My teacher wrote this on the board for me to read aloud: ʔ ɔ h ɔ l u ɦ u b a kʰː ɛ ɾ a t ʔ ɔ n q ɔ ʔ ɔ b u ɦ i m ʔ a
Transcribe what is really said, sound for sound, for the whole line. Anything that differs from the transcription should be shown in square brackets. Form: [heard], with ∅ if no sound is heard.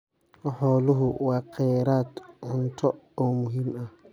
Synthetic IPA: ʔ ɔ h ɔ l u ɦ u [w] a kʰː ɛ ɾ a t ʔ ɔ n [t] ɔ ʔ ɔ [m] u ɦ i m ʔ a